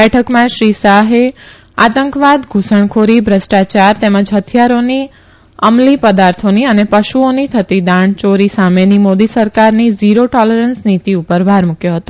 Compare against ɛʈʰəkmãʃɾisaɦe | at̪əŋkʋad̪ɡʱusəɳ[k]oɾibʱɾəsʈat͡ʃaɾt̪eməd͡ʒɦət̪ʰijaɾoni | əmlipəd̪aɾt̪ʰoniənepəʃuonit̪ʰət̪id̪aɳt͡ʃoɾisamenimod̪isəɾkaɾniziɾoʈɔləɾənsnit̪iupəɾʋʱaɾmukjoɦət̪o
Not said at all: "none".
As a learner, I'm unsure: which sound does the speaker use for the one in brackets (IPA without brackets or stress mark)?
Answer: kʰ